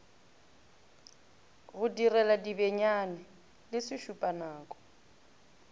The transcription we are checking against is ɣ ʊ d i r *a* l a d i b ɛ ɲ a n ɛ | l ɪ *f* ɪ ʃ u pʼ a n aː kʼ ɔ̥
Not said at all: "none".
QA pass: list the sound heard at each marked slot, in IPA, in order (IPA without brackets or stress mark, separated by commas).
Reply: ɛ, s